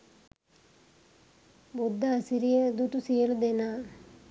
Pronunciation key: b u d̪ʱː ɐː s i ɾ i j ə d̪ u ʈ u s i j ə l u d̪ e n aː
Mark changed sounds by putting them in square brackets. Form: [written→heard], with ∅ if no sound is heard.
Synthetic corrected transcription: b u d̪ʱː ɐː s i ɾ i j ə d̪ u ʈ u s i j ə l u d̪ e n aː